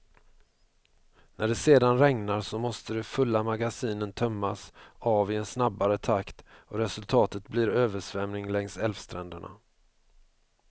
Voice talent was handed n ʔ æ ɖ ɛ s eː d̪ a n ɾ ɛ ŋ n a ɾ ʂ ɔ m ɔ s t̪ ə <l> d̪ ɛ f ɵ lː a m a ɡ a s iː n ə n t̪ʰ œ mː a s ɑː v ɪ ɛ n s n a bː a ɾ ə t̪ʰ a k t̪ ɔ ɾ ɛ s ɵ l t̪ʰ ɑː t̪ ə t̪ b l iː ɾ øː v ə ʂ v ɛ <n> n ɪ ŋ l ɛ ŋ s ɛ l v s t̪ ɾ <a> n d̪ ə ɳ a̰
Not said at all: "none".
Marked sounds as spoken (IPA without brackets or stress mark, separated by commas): none, m, ɛ